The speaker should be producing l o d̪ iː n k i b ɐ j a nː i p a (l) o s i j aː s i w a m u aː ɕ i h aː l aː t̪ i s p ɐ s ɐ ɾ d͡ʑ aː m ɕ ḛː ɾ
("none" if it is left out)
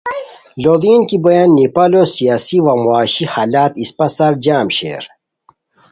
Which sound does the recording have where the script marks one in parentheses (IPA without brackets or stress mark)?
l